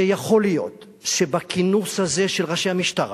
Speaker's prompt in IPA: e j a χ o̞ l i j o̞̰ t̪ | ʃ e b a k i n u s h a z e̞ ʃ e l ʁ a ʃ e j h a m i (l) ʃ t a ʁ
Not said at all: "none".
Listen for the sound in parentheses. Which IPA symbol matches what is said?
none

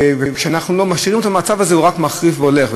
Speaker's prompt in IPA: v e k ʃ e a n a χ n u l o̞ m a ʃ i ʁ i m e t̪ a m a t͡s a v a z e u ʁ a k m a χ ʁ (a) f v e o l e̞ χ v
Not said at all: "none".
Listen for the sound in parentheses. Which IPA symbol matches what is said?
i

